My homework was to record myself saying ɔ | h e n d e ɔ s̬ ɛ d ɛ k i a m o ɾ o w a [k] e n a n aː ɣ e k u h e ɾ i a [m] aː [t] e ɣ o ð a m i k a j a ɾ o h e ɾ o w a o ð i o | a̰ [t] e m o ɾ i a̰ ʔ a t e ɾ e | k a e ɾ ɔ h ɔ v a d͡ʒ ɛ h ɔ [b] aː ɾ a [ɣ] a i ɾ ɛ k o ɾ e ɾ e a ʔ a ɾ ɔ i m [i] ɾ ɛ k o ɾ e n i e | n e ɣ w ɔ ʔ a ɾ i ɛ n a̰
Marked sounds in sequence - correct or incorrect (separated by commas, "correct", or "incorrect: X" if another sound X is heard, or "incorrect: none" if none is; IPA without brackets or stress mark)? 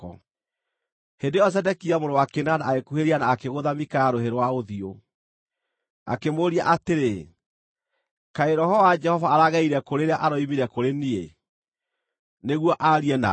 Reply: correct, incorrect: n, incorrect: k, incorrect: k, incorrect: v, correct, correct